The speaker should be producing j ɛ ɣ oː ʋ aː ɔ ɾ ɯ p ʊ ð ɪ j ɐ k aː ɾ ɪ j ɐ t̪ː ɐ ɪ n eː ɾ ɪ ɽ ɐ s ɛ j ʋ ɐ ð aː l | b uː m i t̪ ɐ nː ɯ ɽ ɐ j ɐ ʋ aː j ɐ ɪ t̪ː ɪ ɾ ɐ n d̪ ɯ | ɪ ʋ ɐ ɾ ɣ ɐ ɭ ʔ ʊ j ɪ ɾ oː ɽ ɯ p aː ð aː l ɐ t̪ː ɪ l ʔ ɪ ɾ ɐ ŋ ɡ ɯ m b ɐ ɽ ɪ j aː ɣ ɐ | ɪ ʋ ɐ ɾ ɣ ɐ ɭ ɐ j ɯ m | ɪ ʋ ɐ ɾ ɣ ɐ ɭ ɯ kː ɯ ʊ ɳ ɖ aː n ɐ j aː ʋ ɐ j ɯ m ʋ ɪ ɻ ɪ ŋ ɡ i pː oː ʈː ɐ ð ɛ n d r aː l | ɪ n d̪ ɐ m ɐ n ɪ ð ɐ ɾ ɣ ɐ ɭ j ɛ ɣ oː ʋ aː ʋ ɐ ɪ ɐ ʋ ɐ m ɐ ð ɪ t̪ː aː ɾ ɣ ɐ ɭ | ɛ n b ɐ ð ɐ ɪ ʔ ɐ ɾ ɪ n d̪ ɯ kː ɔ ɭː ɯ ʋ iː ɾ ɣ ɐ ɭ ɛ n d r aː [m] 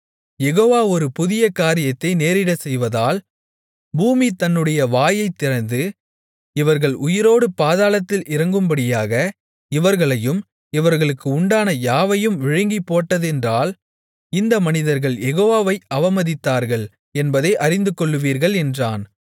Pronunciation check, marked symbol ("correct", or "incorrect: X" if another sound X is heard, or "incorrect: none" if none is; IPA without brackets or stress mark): incorrect: n